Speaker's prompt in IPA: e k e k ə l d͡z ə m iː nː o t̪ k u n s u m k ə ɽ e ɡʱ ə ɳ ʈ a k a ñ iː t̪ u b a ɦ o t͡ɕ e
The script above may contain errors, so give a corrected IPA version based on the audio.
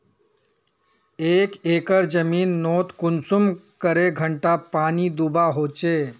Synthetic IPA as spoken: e k e k ə ɾ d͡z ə m iː nː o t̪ k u n s u m k ə ɾ e ɡʱ ə ɳ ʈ a p a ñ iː d̪ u b a ɦ o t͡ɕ e

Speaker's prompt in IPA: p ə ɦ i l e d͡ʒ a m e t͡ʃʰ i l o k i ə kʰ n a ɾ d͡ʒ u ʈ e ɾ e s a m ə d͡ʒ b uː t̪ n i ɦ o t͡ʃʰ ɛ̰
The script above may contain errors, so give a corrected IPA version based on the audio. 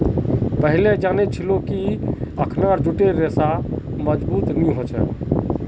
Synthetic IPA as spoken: p ə ɦ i l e d͡ʒ a n e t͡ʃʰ i l o k i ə kʰ n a ɾ d͡ʒ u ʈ e ɾ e s a m ə d͡ʒ b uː t̪ n i ɦ o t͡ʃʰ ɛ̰

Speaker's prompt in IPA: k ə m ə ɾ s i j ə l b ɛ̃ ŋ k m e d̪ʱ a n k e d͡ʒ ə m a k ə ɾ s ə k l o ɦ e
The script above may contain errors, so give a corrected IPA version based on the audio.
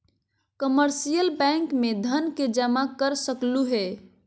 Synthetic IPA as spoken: k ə m ə ɾ s i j ə l b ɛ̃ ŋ k m e d̪ʱ ə n k e d͡ʒ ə m a k ə ɾ s ə k l u ɦ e

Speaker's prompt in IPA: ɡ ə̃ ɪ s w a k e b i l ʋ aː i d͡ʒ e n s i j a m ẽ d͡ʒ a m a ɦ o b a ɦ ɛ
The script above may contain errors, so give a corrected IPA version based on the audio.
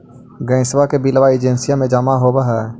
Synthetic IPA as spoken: ɡ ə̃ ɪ s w a k e b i l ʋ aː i d͡ʒ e n s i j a m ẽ d͡ʒ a m a ɦ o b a ɦ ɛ

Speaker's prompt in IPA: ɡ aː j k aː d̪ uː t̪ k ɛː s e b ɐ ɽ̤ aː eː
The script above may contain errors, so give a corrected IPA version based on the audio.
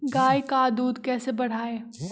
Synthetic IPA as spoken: ɡ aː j k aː d̪ uː d̪ k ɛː s e b ɐ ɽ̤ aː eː

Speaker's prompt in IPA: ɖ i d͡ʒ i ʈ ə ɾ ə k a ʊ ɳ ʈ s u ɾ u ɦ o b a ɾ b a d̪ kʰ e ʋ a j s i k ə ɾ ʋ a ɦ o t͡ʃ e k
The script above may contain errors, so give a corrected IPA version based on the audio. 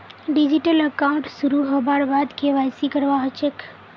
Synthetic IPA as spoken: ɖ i d͡ʒ i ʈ ə l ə k a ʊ ɳ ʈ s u ɾ u ɦ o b a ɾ b a d̪ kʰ e ʋ a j s i k ə ɾ ʋ a ɦ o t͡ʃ e k

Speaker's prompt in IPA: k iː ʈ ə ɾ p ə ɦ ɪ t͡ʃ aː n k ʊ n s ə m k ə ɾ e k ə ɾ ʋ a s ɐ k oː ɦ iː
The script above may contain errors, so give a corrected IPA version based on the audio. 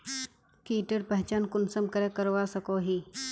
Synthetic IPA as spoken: k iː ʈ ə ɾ p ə ɦ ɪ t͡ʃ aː n k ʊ n s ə m k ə ɾ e k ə ɾ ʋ a s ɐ k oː ɦ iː

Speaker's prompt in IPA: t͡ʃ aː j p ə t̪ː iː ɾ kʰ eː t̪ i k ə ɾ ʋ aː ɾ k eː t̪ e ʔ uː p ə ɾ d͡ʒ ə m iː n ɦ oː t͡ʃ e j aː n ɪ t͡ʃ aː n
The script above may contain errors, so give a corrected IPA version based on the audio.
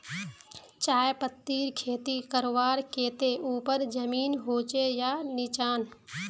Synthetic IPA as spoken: t͡ʃ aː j p ə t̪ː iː ɾ kʰ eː t̪ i k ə ɾ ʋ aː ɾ k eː t̪ e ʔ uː p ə ɾ d͡ʒ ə m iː n ɦ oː t͡ʃ e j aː n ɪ t͡ʃ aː n

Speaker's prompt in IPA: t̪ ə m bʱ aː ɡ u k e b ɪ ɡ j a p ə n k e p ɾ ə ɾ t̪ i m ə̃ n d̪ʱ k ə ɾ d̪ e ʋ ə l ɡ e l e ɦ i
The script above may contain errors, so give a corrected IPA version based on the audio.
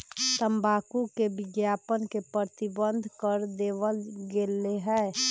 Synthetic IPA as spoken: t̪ ə m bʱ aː k u k e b ɪ ɡ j a p ə n k e p ɾ ə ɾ t̪ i b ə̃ n d̪ʱ k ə ɾ d̪ e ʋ ə l ɡ e l e ɦ ɛ

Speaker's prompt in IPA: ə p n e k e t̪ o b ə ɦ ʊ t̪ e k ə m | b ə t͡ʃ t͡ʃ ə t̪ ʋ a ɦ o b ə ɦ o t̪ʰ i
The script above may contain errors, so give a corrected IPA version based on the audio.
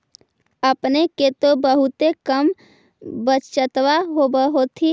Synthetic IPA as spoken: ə p n e k e t̪ o b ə ɦ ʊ t̪ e k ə m | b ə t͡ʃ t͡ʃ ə t̪ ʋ a ɦ o b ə ɦ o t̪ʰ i

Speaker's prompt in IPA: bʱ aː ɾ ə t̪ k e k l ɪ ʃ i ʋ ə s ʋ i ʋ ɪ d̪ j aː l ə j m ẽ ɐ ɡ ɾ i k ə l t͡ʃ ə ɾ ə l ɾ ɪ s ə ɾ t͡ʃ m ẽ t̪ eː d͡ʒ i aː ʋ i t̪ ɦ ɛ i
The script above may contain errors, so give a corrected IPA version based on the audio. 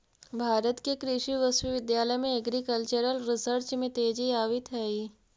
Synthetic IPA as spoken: bʱ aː ɾ ə t̪ k e k ɾ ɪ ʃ i ʋ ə s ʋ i ʋ ɪ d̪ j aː l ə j m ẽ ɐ ɡ ɾ i k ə l t͡ʃ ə ɾ ə l ɾ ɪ s ə ɾ t͡ʃ m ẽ t̪ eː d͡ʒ i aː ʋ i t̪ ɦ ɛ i

